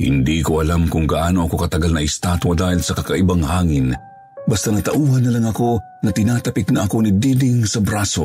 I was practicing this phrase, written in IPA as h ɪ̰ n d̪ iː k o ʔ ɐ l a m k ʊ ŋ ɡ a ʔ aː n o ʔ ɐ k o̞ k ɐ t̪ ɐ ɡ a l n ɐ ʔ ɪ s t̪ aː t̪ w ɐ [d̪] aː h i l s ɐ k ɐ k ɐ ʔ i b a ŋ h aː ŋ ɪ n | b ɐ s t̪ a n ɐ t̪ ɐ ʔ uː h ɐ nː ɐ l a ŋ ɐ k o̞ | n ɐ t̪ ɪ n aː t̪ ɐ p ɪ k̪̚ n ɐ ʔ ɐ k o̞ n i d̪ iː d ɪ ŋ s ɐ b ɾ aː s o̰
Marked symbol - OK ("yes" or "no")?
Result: yes